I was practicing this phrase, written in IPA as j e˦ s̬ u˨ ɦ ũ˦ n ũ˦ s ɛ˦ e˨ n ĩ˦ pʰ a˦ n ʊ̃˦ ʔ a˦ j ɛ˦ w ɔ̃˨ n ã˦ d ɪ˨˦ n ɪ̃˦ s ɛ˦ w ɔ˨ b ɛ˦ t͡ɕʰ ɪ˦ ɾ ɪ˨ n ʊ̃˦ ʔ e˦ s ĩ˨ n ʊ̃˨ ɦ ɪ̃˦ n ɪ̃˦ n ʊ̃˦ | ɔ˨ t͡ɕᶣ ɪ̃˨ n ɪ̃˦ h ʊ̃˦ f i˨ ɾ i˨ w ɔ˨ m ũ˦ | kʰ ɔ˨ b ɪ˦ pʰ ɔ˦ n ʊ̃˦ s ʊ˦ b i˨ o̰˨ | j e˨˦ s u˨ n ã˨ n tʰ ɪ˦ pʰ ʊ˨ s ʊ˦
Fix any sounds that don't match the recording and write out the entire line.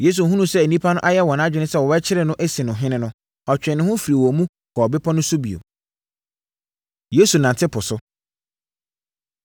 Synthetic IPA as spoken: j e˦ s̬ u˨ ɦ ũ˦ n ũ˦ s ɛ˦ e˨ n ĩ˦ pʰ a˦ n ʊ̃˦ ʔ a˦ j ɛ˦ w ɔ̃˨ n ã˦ d͡ʑᶣ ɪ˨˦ n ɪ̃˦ s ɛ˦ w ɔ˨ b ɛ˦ t͡ɕʰ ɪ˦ ɾ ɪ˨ n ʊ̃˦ ʔ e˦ s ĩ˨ n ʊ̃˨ ɦ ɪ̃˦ n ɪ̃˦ n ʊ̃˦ | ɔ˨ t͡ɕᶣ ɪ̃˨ n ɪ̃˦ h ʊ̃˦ f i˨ ɾ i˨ w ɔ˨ m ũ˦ | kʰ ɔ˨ b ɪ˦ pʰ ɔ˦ n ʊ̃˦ s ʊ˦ b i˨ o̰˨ | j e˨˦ s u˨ n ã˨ n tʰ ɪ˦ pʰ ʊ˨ s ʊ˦